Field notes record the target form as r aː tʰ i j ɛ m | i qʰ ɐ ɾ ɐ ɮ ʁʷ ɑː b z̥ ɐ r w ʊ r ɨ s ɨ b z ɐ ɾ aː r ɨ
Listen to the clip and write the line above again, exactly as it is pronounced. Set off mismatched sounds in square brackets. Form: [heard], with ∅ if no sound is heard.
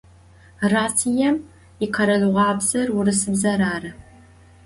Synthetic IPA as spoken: r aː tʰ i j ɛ m | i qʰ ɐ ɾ ɐ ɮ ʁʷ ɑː b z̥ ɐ r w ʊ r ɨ s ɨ b z ɐ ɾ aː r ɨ